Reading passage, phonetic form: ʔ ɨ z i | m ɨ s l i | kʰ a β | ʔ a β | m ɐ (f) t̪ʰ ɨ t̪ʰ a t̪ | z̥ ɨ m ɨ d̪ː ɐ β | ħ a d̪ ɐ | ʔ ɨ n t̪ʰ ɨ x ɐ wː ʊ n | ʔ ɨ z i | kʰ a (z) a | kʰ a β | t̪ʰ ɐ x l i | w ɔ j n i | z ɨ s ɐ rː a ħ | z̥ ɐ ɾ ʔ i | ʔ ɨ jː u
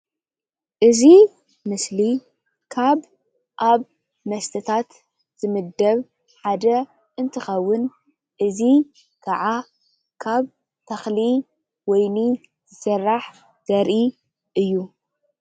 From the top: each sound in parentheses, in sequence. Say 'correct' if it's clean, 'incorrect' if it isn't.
incorrect, incorrect

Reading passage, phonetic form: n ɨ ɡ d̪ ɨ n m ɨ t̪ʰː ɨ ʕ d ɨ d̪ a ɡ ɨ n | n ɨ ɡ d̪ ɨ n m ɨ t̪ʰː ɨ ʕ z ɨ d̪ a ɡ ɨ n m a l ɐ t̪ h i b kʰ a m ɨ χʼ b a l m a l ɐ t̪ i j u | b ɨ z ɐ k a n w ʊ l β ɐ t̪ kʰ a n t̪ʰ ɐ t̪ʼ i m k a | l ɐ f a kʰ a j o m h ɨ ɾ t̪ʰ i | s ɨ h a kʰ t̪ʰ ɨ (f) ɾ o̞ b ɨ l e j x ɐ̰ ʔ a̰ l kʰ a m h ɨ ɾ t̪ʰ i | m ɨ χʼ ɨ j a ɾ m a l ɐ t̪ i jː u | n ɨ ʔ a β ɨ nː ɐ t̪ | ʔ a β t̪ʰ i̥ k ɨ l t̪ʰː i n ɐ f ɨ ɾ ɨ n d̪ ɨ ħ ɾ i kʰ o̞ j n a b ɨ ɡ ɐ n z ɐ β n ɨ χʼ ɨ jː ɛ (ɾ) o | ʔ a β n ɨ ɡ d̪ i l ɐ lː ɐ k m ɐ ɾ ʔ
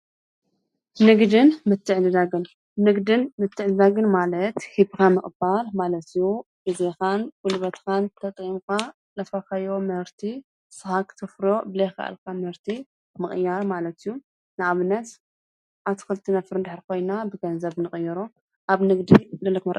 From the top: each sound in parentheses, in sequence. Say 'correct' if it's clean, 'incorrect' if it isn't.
correct, correct

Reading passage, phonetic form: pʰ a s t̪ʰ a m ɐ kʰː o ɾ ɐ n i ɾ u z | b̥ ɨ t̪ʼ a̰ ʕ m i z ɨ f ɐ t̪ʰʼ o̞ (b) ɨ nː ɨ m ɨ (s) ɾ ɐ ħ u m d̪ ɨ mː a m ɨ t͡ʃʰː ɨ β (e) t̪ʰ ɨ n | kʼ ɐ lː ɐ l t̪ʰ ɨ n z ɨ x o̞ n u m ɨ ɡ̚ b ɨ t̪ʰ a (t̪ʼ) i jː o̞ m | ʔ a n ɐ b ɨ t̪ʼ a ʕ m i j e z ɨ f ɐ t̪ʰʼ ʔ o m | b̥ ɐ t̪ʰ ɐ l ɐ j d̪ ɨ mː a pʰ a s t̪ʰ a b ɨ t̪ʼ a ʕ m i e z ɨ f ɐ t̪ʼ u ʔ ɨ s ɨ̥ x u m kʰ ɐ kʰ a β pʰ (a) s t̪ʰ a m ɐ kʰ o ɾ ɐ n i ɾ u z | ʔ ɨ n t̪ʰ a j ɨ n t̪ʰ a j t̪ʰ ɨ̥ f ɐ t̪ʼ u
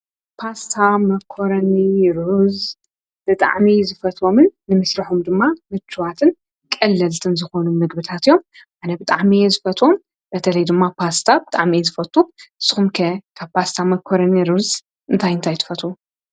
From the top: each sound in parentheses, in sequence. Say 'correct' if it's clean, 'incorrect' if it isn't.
incorrect, correct, incorrect, incorrect, correct

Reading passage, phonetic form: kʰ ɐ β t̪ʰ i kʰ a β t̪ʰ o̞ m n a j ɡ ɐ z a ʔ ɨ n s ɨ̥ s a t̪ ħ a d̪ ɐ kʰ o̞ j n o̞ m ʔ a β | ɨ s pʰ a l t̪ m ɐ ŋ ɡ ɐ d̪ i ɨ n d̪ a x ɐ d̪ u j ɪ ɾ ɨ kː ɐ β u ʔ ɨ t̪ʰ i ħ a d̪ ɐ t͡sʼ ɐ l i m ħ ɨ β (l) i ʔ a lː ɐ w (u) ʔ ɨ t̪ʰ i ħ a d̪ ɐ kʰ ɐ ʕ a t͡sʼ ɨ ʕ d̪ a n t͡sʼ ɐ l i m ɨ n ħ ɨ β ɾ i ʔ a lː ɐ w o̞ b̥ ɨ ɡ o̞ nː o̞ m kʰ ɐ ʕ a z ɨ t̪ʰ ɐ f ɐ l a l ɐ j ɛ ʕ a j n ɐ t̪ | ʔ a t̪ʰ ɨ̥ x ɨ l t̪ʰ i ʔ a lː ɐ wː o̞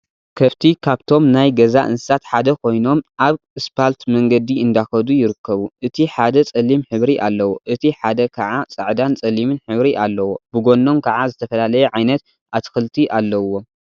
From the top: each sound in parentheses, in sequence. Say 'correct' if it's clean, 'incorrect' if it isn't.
incorrect, incorrect

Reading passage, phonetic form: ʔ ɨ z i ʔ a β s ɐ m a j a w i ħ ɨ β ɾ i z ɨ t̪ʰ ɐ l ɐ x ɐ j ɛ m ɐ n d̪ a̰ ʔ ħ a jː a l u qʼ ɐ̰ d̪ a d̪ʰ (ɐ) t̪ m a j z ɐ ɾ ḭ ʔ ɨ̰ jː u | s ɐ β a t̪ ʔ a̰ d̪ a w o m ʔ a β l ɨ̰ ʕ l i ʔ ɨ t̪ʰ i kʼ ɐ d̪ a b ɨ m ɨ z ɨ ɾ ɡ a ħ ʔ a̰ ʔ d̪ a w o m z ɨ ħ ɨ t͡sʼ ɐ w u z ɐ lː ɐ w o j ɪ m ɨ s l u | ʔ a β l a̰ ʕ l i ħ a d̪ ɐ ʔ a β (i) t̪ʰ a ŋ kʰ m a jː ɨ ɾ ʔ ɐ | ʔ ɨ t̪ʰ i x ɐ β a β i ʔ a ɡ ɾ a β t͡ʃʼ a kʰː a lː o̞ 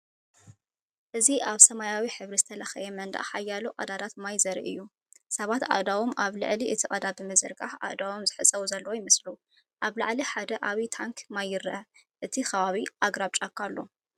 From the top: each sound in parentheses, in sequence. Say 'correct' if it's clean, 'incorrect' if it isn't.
incorrect, correct

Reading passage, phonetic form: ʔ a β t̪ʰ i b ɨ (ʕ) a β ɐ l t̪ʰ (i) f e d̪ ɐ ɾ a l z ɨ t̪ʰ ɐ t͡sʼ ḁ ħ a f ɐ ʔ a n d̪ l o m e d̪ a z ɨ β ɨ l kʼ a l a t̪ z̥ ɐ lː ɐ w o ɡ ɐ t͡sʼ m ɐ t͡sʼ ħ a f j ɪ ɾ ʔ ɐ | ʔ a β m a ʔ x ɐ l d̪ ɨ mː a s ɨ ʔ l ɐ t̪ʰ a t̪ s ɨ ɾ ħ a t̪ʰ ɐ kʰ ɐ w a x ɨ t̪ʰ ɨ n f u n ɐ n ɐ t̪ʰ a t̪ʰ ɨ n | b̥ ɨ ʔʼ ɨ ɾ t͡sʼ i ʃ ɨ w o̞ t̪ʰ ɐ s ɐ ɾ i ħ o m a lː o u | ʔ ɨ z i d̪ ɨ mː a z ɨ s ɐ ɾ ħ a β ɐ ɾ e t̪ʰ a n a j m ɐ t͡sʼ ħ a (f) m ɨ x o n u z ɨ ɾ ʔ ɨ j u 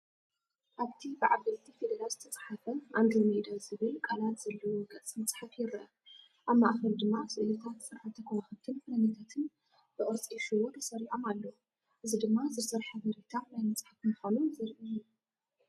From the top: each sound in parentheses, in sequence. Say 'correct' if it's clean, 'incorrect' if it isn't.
correct, correct, correct

